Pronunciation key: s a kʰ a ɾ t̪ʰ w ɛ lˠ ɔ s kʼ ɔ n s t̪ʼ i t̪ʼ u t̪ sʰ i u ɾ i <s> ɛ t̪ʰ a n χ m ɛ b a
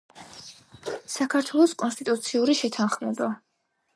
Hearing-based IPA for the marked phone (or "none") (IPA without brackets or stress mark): ʃ